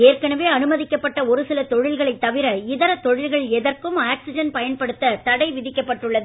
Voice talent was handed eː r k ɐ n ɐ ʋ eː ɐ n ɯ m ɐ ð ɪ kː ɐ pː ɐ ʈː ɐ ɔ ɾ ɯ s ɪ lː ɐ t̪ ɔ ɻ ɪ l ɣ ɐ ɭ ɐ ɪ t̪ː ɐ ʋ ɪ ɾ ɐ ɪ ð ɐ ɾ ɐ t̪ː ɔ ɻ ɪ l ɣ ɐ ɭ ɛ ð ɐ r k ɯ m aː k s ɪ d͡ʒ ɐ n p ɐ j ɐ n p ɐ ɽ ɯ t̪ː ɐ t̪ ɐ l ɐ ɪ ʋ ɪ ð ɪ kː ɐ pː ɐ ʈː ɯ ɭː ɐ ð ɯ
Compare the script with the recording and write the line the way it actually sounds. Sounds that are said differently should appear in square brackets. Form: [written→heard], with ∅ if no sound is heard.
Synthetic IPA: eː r k ɐ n ɐ ʋ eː ɐ n ɯ m ɐ ð ɪ kː ɐ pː ɐ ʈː ɐ ɔ ɾ ɯ s ɪ [lː→l] ɐ t̪ ɔ ɻ ɪ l ɣ ɐ ɭ ɐ ɪ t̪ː ɐ ʋ ɪ ɾ ɐ ɪ ð ɐ ɾ ɐ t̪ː ɔ ɻ ɪ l ɣ ɐ ɭ ɛ ð ɐ r k ɯ m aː k s ɪ d͡ʒ ɐ n p ɐ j ɐ n p ɐ ɽ ɯ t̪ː ɐ t̪ ɐ [l→ɽ] ɐ ɪ ʋ ɪ ð ɪ kː ɐ pː ɐ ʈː ɯ ɭː ɐ ð ɯ